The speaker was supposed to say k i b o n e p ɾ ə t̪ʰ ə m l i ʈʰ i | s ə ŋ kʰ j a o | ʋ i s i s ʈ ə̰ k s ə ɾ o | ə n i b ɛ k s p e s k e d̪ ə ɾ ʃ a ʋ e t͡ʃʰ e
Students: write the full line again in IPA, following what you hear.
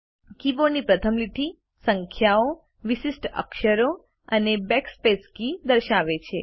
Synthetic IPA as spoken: k i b o n i p ɾ ə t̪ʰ ə m l i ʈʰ i | s ə ŋ kʰ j a o | ʋ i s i s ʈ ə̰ k ʃ ə ɾ o | ə n e b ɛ k s p e s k i d̪ ə ɾ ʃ a ʋ e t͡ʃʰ e